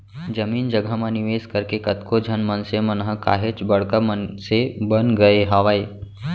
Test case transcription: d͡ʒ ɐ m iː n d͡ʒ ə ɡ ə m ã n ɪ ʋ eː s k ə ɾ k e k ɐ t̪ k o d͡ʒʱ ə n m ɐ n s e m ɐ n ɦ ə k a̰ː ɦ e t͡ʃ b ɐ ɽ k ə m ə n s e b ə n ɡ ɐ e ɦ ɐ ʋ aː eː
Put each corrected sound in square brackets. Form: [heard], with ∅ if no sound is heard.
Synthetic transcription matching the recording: d͡ʒ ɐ m iː n d͡ʒ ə ɡ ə m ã n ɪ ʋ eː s k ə ɾ k e k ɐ t̪ k o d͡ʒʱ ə n m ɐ n s e m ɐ n ɦ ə k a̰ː ɦ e t͡ʃ b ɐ ɽ k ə m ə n s e b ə n ɡ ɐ e ɦ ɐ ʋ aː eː